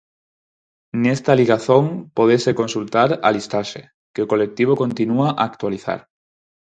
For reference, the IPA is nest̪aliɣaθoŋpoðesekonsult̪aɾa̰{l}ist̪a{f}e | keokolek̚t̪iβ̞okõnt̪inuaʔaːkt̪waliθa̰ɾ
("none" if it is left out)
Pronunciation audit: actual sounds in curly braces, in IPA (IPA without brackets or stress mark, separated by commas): l, ʃ